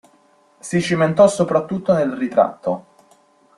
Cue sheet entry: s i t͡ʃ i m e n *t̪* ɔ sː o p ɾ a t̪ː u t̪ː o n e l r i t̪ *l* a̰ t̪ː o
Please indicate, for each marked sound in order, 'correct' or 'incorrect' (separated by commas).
correct, incorrect